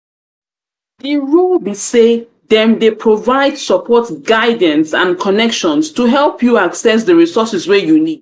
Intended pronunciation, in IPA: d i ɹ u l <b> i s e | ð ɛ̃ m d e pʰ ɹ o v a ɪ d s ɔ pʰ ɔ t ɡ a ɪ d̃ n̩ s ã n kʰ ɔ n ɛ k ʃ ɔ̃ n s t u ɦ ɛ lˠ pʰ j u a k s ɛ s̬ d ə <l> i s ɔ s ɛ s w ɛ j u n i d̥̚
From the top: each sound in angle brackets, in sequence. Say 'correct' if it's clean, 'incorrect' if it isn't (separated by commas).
correct, incorrect